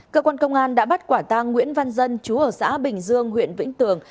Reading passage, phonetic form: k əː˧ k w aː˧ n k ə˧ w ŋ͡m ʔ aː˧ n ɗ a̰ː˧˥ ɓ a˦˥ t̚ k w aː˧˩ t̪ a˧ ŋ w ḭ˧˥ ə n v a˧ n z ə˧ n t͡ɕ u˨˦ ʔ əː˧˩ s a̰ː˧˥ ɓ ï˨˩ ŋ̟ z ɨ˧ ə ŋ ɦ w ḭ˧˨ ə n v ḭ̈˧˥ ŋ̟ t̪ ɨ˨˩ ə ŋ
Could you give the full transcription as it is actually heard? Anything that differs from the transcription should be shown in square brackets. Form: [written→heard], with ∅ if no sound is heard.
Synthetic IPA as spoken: k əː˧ k w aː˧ n k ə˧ w ŋ͡m ʔ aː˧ n ɗ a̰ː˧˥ ɓ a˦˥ t̚ k w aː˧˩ t̪ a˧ [ŋ→ŋː] w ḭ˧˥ ə n v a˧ n z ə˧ n t͡ɕ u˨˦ ʔ əː˧˩ s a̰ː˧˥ ɓ ï˨˩ ŋ̟ z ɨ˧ ə ŋ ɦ w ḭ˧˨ ə n v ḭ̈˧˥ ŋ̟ t̪ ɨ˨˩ ə ŋ